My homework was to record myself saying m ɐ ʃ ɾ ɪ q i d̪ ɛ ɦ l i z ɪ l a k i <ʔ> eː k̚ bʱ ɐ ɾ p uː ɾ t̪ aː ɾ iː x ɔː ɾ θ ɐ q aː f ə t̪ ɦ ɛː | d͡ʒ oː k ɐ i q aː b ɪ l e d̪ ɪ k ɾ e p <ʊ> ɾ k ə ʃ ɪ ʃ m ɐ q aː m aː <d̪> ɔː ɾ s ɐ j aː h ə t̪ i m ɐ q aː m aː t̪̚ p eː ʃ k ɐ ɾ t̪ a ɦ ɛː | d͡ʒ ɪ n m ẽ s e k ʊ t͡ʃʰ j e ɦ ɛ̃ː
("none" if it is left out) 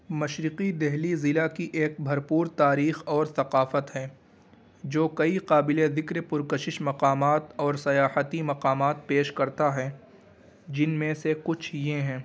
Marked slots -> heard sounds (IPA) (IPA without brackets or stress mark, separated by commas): ʔ, ʊ, t̪